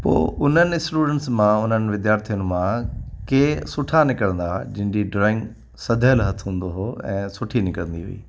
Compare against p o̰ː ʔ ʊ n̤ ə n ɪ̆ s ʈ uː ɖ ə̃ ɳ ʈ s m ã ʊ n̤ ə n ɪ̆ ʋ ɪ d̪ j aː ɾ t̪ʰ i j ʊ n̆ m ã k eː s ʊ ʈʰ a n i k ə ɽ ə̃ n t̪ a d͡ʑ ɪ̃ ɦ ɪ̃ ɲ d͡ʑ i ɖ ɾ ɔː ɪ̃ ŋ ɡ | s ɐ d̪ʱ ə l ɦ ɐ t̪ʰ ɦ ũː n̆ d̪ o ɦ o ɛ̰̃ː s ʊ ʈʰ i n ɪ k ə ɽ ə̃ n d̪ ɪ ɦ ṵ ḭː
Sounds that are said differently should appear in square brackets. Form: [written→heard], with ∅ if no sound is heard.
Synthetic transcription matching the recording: p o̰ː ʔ ʊ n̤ ə n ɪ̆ s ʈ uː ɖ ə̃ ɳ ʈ s m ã ʊ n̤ ə n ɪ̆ ʋ ɪ d̪ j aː ɾ t̪ʰ i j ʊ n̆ m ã k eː s ʊ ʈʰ a n [i→ɪ] k ə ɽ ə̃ n [t̪→d̪] a d͡ʑ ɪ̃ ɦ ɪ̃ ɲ d͡ʑ i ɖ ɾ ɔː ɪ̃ ŋ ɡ | s ɐ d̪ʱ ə l ɦ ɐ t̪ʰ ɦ ũː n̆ d̪ o ɦ o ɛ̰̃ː s ʊ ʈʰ i n ɪ k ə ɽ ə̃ n d̪ [ɪ→i] ɦ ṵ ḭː